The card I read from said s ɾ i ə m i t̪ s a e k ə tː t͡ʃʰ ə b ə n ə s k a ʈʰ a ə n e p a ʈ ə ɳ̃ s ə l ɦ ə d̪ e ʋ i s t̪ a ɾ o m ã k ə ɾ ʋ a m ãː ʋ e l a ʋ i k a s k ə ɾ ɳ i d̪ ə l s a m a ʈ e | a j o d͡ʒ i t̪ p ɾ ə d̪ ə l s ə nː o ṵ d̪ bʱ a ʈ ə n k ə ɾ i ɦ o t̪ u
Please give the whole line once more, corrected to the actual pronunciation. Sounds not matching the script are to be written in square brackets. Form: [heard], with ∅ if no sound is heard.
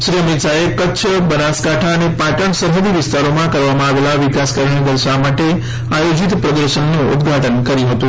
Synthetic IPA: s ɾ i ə m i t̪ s a e k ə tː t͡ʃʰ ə b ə n [a] s k a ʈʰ a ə n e p a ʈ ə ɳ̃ s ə [ɾ] ɦ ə d̪ [i] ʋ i s t̪ a ɾ o m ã k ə ɾ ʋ a m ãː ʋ e l a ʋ i k a s k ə ɾ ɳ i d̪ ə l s a m a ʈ e | a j o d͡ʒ i t̪ p ɾ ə d̪ ə [ɾ] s ə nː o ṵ d̪ [ɡʱ] a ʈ ə n k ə ɾ i ɦ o t̪ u